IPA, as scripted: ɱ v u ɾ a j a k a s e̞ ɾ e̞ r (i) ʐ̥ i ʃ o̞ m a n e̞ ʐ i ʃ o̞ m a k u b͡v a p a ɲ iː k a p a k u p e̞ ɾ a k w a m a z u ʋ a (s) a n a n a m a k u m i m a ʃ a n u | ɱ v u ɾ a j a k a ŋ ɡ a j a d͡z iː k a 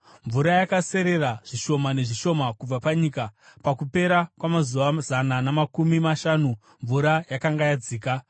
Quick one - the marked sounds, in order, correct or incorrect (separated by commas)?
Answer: incorrect, incorrect